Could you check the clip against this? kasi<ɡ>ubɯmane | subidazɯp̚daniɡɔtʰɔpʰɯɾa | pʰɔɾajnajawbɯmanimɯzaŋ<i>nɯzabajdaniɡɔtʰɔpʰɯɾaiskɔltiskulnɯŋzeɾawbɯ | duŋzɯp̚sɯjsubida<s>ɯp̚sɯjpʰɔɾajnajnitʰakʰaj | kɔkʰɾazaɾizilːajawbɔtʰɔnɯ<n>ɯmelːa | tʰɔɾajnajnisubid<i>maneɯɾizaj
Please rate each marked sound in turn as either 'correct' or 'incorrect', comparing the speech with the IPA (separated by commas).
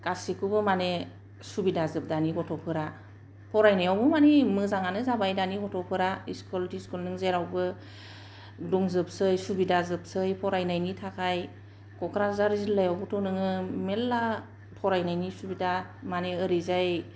incorrect, incorrect, incorrect, incorrect, incorrect